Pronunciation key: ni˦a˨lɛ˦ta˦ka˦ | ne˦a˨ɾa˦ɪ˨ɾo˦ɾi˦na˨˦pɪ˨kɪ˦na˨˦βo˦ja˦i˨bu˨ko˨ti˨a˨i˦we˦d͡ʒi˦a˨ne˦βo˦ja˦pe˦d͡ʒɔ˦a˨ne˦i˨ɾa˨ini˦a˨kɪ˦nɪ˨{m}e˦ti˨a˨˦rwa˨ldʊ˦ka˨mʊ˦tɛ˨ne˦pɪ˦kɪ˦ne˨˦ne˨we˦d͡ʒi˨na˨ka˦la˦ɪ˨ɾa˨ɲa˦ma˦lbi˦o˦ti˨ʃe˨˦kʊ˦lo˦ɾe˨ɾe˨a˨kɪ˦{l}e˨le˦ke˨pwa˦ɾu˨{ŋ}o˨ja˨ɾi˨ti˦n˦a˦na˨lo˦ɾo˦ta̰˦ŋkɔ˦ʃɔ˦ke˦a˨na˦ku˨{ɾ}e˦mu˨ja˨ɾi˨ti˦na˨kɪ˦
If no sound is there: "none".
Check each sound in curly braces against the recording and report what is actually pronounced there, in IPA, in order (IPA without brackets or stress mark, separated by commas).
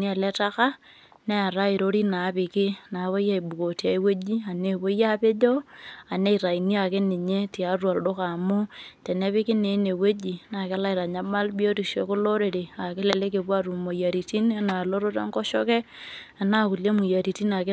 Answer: ɲ, l, m, l